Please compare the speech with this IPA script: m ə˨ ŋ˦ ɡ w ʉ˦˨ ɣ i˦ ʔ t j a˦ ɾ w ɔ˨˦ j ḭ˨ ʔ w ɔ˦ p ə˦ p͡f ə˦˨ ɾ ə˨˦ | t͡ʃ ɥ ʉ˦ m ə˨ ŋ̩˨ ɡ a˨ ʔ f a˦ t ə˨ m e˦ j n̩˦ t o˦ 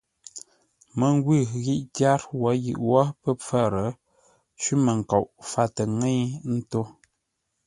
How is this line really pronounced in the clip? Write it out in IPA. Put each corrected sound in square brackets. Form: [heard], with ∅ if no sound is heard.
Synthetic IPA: m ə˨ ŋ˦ ɡ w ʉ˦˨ ɣ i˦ ʔ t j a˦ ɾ w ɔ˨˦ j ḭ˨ ʔ w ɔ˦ p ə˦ p͡f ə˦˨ ɾ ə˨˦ | t͡ʃ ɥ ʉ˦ m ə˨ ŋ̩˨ [k] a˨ ʔ f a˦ t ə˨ [ŋ] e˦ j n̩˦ t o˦

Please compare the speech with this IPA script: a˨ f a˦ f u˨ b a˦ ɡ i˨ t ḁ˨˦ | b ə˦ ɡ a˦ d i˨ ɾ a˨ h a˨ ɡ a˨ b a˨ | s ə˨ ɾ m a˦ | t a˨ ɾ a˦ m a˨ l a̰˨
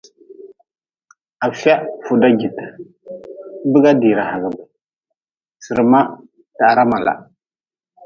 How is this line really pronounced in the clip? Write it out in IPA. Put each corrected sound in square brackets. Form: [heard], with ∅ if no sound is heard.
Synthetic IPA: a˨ f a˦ f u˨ [d] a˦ ɡ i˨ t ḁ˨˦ | b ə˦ ɡ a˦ d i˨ ɾ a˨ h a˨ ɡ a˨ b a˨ | s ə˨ ɾ m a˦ | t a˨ ɾ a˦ m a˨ l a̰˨

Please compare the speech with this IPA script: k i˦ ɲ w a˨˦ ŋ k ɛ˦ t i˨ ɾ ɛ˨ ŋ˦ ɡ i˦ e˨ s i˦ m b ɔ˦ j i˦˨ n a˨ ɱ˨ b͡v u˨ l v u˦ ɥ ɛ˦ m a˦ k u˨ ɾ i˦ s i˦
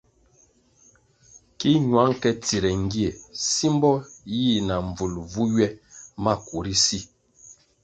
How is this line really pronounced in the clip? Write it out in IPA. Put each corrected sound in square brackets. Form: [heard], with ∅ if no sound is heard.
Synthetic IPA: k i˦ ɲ w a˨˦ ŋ k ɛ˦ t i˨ ɾ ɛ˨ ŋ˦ ɡ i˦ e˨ s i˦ m b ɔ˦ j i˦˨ n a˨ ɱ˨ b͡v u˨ l v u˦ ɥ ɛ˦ m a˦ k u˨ ɾ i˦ s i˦

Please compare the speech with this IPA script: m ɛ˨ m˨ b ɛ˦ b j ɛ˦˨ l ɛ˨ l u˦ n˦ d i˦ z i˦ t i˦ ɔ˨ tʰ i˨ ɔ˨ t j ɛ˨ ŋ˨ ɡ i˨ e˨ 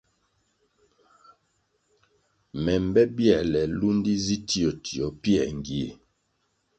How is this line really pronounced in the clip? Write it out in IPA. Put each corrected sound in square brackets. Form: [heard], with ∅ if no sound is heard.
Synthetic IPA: m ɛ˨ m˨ b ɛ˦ b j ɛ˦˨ l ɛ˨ l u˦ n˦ d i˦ z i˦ t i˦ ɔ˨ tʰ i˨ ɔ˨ [p] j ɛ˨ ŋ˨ ɡ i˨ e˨

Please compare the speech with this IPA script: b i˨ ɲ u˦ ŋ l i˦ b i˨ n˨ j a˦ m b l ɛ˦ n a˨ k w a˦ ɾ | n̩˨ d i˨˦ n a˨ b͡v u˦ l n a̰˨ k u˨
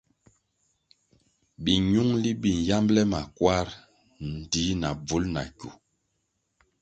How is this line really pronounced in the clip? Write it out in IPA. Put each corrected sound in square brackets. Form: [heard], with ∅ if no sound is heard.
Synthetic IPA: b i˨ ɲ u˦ ŋ l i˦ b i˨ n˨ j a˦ m b l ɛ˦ [m] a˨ k w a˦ ɾ | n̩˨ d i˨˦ n a˨ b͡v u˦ l n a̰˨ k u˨

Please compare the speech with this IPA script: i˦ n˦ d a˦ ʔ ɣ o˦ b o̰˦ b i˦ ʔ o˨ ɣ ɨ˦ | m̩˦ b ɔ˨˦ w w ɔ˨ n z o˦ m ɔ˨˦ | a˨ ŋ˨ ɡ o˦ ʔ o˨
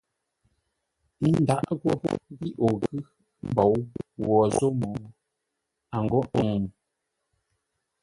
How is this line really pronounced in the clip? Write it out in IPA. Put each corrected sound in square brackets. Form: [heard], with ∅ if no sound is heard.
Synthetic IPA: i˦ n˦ d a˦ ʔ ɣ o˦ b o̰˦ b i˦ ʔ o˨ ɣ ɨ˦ | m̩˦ b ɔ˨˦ w w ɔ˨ [∅] z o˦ m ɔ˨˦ | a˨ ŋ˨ ɡ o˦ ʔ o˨

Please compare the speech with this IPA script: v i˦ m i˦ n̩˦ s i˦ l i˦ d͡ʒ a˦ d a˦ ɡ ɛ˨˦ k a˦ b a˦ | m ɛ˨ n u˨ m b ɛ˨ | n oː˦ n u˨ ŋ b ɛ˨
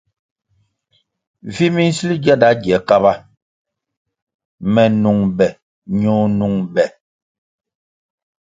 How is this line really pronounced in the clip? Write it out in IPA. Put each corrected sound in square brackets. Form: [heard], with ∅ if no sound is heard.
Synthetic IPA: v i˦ m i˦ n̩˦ s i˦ l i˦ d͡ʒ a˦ d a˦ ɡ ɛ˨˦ k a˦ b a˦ | m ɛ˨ n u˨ [ŋ] b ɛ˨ | [ɲ] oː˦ n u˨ ŋ b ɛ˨

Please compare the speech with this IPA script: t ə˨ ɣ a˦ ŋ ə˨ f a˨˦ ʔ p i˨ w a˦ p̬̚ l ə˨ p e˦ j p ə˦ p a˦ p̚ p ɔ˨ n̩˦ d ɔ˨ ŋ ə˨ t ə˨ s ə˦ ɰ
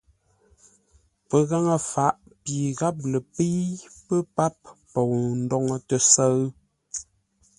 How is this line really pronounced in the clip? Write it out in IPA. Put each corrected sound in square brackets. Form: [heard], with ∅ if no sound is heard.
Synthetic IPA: [p] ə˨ ɣ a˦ ŋ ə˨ f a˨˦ ʔ p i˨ [ɣ] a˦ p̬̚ l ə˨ p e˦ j p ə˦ p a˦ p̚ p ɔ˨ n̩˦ d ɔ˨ ŋ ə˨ t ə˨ s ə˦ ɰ

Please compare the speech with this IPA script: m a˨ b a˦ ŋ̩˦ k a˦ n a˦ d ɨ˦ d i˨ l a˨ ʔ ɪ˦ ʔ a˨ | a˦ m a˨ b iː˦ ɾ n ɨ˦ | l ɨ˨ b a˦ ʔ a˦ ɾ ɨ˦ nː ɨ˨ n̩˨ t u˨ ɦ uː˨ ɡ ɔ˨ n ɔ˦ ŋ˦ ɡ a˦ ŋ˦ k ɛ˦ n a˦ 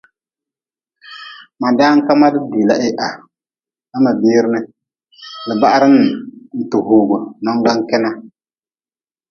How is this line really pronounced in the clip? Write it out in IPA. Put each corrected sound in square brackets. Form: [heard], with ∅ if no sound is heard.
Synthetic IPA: m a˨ [d] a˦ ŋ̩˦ k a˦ [m] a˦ d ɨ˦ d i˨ l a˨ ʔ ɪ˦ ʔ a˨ | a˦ m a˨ b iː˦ ɾ n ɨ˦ | l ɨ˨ b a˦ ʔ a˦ ɾ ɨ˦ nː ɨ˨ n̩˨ t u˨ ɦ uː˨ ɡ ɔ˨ n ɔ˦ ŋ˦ ɡ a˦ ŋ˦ k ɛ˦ n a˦

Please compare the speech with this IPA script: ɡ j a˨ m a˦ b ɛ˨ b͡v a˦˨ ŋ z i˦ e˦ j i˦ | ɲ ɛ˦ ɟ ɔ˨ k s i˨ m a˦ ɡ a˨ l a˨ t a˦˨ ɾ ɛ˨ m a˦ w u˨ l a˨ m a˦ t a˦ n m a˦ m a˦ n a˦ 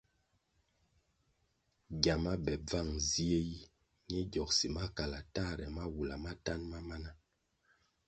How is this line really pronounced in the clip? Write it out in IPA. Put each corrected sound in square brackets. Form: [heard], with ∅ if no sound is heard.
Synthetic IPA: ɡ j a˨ m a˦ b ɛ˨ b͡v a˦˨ ŋ z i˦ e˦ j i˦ | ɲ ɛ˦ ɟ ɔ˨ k s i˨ m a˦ [k] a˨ l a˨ t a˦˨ ɾ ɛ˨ m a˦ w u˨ l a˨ m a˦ t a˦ n m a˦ m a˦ n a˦

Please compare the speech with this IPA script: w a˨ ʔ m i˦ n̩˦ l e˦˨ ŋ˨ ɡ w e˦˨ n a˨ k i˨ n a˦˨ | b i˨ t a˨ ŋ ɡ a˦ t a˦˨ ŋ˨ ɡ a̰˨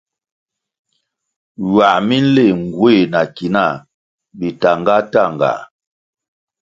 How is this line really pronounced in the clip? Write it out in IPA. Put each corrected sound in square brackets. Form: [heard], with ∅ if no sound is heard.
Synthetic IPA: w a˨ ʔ m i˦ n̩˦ l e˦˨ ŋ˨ ɡ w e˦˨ n a˨ k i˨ n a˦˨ | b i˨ t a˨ ŋ ɡ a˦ t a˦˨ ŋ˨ ɡ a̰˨

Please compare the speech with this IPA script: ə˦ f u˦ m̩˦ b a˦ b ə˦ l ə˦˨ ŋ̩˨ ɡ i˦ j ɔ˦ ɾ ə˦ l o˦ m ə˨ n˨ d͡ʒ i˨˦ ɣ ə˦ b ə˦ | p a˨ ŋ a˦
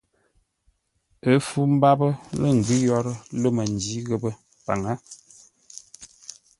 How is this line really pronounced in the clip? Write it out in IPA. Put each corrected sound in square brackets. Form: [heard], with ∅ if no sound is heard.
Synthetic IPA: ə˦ f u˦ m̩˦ b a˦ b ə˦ l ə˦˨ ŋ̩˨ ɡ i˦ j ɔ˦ ɾ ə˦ l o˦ m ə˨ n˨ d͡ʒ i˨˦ ɣ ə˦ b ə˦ | p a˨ ŋ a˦

